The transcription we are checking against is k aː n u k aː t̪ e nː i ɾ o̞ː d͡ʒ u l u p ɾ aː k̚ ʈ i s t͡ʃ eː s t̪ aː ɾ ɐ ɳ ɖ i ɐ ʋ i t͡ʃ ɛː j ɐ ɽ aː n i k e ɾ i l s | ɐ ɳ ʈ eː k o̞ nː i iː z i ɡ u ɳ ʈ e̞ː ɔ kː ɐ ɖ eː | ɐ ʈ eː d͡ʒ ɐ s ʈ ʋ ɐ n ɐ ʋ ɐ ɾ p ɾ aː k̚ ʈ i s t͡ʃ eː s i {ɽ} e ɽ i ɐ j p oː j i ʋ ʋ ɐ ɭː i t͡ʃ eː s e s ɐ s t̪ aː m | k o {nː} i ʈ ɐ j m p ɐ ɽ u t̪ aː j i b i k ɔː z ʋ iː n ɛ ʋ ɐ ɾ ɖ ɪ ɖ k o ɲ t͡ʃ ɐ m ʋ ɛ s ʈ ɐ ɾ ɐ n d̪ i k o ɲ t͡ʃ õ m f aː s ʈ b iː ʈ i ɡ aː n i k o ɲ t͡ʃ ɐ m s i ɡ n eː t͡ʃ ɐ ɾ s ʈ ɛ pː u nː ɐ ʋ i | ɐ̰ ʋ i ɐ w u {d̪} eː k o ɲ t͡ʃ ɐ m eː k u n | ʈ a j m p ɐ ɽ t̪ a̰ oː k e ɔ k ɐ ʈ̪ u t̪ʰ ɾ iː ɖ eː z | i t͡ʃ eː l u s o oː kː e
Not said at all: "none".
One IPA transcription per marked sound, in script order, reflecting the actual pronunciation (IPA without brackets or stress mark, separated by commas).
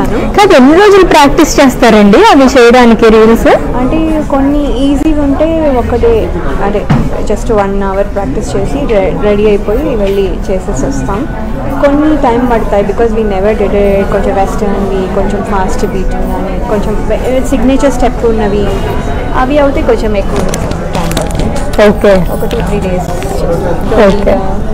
ɾ, nː, t̪